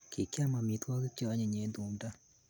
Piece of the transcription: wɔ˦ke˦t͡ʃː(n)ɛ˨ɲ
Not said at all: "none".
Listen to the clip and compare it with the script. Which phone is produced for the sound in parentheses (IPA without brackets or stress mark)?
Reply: ɲ